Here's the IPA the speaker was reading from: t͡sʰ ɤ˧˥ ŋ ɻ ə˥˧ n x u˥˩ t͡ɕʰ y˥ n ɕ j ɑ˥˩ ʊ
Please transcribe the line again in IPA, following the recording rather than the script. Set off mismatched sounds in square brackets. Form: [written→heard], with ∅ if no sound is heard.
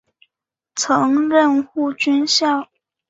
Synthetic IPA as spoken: t͡sʰ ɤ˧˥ ŋ ɻ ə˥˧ n x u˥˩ [t͡ɕʰ→t͡ɕ] y˥ n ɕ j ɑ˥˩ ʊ